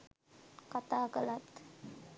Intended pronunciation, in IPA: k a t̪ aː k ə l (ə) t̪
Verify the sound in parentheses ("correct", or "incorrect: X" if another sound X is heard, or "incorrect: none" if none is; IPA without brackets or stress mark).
incorrect: a